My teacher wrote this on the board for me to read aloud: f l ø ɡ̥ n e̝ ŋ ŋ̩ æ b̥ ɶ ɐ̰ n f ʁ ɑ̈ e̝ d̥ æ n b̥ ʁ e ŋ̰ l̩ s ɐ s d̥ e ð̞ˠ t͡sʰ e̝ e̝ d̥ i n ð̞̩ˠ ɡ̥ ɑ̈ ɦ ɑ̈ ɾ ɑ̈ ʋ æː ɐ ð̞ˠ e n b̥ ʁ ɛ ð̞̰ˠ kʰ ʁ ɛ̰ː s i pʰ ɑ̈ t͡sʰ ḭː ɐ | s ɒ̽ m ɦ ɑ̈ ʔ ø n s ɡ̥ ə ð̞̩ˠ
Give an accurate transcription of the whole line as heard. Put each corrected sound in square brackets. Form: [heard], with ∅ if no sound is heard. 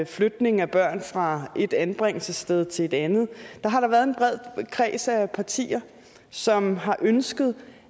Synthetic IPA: f l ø [d̥] n e̝ ŋ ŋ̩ æ b̥ ɶ ɐ̰ n f ʁ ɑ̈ e̝ d̥ æ n b̥ ʁ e ŋ̰ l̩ s [ə] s d̥ e ð̞ˠ t͡sʰ e̝ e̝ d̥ [æ] n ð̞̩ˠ [d̥] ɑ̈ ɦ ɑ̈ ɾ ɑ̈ ʋ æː ɐ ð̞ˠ e n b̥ ʁ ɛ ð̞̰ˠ kʰ ʁ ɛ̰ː s [æ] pʰ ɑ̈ t͡sʰ ḭː ɐ | s ɒ̽ m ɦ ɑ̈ ʔ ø n s ɡ̥ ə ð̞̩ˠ